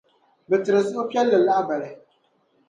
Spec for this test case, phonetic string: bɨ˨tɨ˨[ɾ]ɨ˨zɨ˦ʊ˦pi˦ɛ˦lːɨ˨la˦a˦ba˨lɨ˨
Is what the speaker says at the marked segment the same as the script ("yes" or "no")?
yes